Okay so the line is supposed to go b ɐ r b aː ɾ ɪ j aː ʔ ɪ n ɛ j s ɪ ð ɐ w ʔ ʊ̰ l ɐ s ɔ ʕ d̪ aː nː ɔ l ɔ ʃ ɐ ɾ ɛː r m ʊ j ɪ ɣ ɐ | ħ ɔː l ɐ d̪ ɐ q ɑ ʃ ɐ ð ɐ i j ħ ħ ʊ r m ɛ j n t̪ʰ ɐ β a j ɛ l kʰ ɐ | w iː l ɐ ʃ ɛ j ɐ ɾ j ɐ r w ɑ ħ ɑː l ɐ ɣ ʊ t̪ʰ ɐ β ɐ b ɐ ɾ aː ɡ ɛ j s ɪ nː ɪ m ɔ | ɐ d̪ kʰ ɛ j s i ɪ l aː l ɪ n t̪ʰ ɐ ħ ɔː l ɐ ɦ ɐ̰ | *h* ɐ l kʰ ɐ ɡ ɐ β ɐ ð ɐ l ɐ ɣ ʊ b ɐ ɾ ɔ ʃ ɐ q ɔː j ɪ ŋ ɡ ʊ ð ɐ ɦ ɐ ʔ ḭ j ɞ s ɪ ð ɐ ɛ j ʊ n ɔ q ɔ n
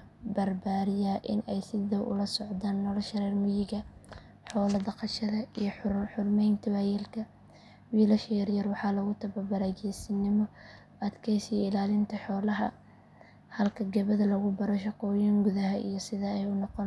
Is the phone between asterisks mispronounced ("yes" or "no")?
no